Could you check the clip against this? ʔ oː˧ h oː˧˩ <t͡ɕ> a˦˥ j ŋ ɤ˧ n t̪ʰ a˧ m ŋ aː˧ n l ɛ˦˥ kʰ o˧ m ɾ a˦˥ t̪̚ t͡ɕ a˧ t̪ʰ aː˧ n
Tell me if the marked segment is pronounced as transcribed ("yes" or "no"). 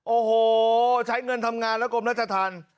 no